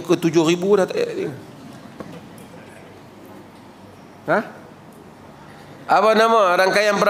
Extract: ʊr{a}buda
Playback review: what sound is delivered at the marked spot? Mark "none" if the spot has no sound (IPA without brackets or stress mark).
i